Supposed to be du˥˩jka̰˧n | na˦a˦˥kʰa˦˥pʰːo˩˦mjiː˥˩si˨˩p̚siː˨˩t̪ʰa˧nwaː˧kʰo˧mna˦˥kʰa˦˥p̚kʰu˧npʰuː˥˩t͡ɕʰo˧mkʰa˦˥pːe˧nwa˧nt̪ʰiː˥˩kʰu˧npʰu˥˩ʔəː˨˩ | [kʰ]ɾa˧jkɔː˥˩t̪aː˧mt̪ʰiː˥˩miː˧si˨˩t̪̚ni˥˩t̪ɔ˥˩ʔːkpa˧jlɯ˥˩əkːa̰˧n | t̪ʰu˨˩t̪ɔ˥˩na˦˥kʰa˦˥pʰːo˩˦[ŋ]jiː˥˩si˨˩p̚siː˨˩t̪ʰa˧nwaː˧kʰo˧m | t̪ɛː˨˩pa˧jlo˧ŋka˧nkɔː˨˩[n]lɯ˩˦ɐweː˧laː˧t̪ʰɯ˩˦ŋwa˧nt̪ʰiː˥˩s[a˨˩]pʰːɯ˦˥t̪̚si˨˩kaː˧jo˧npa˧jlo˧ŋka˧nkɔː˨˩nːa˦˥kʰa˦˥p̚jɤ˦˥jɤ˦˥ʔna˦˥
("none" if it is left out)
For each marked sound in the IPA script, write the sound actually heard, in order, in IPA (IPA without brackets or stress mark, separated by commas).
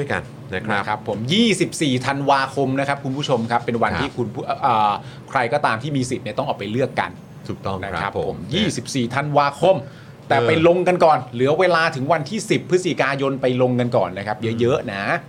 kʰ, m, n, i˨˩